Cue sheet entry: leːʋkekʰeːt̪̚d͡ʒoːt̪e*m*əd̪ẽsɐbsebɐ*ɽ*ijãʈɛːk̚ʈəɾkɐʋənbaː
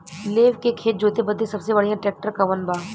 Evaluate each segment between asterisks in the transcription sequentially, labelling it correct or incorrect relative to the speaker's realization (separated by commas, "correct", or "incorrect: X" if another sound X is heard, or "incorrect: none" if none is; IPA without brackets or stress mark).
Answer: incorrect: b, correct